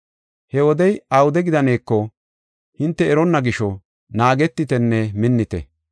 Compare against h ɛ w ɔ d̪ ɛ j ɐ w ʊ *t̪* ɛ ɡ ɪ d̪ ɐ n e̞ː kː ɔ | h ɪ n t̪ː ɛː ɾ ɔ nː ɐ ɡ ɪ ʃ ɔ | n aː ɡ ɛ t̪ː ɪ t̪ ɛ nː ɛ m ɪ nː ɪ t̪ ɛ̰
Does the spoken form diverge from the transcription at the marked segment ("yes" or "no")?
yes